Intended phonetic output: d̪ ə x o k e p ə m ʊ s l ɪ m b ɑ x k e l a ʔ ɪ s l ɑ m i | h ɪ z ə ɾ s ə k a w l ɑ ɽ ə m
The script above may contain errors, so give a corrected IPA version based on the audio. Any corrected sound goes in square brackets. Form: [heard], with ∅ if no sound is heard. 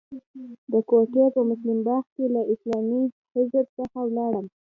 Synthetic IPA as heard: d̪ ə [k] o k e p ə m ʊ s l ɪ m b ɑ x k e l a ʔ ɪ s l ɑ m i | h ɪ z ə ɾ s ə [x] a w l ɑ ɽ ə m